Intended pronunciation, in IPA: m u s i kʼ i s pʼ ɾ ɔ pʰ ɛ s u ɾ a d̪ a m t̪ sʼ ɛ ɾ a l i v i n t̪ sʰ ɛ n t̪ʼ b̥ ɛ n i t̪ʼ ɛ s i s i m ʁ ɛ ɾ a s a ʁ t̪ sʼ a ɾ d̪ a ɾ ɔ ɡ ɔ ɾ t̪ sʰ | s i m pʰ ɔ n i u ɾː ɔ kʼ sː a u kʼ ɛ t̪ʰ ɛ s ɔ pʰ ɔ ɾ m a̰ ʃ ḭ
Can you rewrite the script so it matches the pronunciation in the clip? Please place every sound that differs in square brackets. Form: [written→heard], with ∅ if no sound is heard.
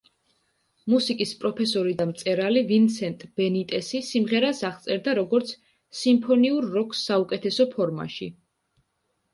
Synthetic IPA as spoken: m u s i kʼ i s pʼ ɾ ɔ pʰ ɛ s [u→ɔ] ɾ [a→i] d̪ a m t̪ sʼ ɛ ɾ a l i v i n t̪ sʰ ɛ n t̪ʼ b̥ ɛ n i t̪ʼ ɛ s i s i m ʁ ɛ ɾ a s a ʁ t̪ sʼ [a→ɛ] ɾ d̪ a ɾ ɔ ɡ ɔ ɾ t̪ sʰ | s i m pʰ ɔ n i u ɾː ɔ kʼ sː a u kʼ ɛ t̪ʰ ɛ s ɔ pʰ ɔ ɾ m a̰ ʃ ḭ

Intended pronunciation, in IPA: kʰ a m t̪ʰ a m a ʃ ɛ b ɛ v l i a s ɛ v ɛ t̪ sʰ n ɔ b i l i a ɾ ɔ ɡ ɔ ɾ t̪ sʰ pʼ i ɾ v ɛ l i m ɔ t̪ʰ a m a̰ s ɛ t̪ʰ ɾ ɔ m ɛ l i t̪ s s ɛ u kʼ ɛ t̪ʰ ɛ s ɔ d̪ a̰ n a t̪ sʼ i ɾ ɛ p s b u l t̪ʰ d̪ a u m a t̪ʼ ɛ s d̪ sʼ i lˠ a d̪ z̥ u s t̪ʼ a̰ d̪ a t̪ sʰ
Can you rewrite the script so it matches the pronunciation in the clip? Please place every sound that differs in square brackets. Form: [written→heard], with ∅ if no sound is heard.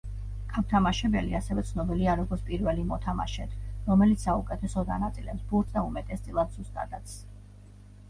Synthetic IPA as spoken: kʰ a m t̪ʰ a m a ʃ ɛ b ɛ [v→∅] l i a s ɛ v ɛ t̪ sʰ n ɔ b i l i a ɾ ɔ ɡ ɔ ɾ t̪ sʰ pʼ i ɾ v ɛ l i m ɔ t̪ʰ a m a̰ [s→ʃ] ɛ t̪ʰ ɾ ɔ m ɛ l i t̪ s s [ɛ→a] u kʼ ɛ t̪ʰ ɛ s ɔ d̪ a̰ n a t̪ sʼ i [ɾ→l] ɛ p s b u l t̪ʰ d̪ a u m [a→ɛ] t̪ʼ ɛ s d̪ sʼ i lˠ a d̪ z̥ u s t̪ʼ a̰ d̪ a t̪ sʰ

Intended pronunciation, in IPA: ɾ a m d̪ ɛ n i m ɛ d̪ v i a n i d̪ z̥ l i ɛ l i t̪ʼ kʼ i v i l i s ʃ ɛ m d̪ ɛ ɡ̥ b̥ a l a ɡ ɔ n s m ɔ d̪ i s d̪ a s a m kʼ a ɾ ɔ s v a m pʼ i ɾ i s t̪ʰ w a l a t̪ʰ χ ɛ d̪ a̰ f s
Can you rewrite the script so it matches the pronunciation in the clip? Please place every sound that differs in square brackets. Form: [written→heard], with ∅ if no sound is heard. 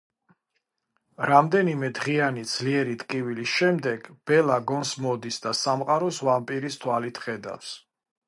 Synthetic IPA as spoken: ɾ a m d̪ ɛ n i m ɛ d̪ [v→ʁ] i a n i d̪ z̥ l i ɛ [l→ɾ] i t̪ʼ kʼ i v i l i s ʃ ɛ m d̪ ɛ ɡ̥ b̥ [a→ɛ] l a ɡ ɔ n s m ɔ d̪ i s d̪ a s a m [kʼ→qʼ] a ɾ ɔ s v a m pʼ i ɾ i s t̪ʰ w a l [a→i] t̪ʰ χ ɛ d̪ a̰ f s

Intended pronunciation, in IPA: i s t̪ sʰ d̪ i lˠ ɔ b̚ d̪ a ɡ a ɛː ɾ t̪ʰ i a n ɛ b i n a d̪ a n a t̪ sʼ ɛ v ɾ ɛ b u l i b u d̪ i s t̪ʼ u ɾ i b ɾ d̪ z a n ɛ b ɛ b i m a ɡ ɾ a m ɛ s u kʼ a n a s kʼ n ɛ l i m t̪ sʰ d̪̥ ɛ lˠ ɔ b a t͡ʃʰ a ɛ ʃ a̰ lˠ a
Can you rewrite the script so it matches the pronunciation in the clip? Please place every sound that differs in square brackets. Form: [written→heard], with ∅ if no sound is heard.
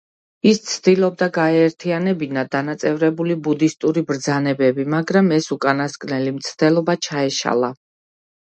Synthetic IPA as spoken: i s t̪ sʰ d̪ i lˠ ɔ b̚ d̪ a ɡ a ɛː ɾ t̪ʰ i a n ɛ b i n a d̪ a n a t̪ sʼ ɛ v ɾ ɛ b u l i b u d̪ i s t̪ʼ u ɾ i b ɾ d̪ z a n ɛ b ɛ b i m a ɡ ɾ a m ɛ s u kʼ a n a s kʼ n ɛ l i m t̪ sʰ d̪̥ ɛ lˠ ɔ b a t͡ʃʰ a ɛ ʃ a̰ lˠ a

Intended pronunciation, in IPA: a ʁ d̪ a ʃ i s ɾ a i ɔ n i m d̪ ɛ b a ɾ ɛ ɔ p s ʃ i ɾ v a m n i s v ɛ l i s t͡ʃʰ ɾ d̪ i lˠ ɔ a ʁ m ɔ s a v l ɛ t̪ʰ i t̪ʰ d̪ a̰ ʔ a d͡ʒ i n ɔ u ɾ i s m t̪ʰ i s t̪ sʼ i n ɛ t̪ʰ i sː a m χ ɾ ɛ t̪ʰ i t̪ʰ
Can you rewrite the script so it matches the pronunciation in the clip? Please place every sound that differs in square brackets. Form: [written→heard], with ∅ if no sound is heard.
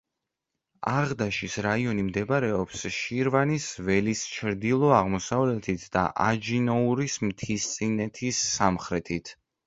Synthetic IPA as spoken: a ʁ d̪ a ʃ i s ɾ a i ɔ n i m d̪ ɛ b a ɾ ɛ ɔ p s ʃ i ɾ v a [m→∅] n i s v ɛ l i s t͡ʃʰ ɾ d̪ i lˠ ɔ a ʁ m ɔ s a v l ɛ t̪ʰ i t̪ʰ d̪ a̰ ʔ a d͡ʒ i n ɔ u ɾ i s m t̪ʰ i s t̪ sʼ i n ɛ t̪ʰ i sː a m χ ɾ ɛ t̪ʰ i t̪ʰ

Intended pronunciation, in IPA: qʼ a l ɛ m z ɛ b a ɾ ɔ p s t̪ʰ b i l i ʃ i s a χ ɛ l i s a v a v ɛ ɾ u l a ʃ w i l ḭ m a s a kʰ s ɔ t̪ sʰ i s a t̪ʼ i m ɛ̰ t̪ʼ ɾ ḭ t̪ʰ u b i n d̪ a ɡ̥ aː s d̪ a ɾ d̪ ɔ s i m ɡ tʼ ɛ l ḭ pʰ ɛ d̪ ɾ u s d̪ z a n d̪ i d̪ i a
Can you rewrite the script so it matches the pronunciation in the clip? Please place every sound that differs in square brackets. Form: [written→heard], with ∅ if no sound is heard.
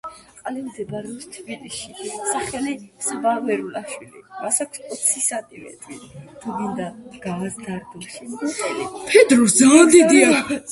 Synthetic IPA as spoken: qʼ a l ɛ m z ɛ b a ɾ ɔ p s t̪ʰ b i l i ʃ i s a χ ɛ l i s a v a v ɛ ɾ u l a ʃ w i l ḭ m a s a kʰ s ɔ t̪ sʰ i s a t̪ʼ i m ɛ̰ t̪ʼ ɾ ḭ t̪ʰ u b i n d̪ a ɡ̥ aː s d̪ a ɾ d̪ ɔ [s→ʃ] i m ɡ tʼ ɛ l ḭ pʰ ɛ d̪ ɾ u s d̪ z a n d̪ i d̪ i a

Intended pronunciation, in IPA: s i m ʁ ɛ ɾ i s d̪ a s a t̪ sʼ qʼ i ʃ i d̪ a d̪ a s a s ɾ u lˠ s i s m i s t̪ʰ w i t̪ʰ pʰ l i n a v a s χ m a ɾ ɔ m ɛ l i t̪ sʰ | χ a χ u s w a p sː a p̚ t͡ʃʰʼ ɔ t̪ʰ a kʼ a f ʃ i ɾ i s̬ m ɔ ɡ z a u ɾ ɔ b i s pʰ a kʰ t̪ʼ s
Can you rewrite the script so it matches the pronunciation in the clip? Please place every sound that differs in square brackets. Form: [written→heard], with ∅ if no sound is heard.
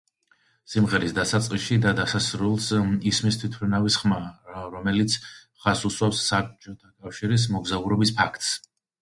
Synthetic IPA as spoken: s i m ʁ ɛ ɾ i s d̪ a s a t̪ sʼ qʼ i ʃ i d̪ a d̪ a s a s ɾ u lˠ s i s m i s t̪ʰ w i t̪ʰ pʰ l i n a v [a→i] s χ m a ɾ ɔ m ɛ l i t̪ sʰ | χ a [χ→s] u s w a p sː a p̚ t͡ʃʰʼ ɔ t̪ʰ a kʼ a f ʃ i ɾ i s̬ m ɔ ɡ z a u ɾ ɔ b i s pʰ a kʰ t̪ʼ s

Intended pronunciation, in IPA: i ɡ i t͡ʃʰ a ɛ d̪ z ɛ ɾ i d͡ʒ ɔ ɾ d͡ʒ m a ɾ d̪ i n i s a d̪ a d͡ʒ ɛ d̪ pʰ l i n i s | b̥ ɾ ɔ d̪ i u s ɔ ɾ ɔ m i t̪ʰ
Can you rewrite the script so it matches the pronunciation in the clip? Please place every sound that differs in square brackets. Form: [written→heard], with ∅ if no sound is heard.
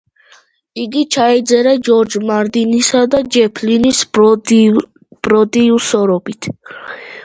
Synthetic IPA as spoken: i ɡ i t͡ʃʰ a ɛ d̪ z ɛ ɾ [i→a] d͡ʒ ɔ ɾ d͡ʒ m a ɾ d̪ i n i s a d̪ a d͡ʒ ɛ [d̪→∅] pʰ l i n i s | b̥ ɾ ɔ d̪ i u s ɔ ɾ ɔ [m→b] i t̪ʰ

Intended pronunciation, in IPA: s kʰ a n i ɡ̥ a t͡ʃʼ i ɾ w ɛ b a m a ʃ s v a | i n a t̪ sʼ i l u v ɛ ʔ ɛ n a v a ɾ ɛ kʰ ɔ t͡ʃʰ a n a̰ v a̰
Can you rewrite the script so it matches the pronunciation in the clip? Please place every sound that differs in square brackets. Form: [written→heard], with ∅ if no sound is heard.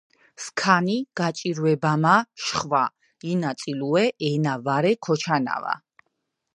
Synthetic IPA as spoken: s kʰ a n i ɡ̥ a t͡ʃʼ i ɾ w ɛ b a m a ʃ [s→χ] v a | i n a t̪ sʼ i l u [v→∅] ɛ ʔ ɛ n a v a ɾ ɛ kʰ ɔ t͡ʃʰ a n a̰ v a̰

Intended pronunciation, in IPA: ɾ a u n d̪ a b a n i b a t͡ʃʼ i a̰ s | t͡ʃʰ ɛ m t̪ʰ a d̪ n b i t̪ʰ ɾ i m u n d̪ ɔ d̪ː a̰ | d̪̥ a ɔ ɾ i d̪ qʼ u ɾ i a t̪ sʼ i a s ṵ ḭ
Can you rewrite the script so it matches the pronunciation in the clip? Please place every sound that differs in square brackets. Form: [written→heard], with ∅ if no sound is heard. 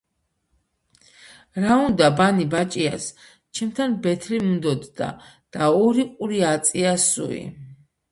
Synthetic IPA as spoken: ɾ a u n d̪ a b a n i b a t͡ʃʼ i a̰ s | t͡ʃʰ ɛ m t̪ʰ a [d̪→∅] n b [i→ɛ] t̪ʰ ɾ i m u n d̪ ɔ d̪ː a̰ | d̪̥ a ɔ ɾ i [d̪→∅] qʼ u ɾ i a t̪ sʼ i a s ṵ ḭ

